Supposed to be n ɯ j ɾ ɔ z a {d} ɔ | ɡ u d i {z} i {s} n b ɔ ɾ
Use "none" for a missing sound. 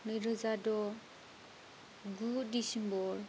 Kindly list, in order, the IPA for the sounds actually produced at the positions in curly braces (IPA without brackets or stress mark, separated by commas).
d, s, none